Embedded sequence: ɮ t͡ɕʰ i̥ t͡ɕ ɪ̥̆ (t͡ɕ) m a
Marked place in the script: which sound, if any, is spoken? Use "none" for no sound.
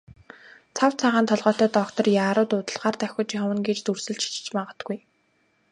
t͡ɕ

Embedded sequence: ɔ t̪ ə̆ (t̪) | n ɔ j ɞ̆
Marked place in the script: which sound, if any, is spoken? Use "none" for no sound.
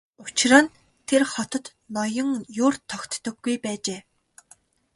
t̪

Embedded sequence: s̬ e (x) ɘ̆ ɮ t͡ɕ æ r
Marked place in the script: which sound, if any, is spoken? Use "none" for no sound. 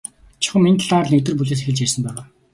x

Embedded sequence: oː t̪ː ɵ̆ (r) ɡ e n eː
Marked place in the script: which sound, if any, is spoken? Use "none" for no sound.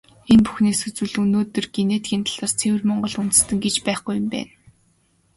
r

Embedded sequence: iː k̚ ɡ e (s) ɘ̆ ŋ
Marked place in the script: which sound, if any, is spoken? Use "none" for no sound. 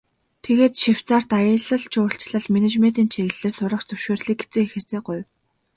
t͡s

